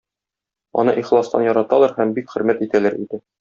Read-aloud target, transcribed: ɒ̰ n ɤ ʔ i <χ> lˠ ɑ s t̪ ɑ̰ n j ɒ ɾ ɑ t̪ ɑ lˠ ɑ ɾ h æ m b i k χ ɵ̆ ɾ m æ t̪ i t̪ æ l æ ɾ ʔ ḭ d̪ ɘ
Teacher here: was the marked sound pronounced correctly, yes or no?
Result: yes